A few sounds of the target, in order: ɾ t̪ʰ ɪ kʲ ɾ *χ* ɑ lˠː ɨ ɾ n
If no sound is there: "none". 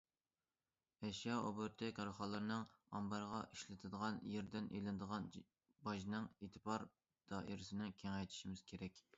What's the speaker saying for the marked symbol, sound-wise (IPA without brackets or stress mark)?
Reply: χ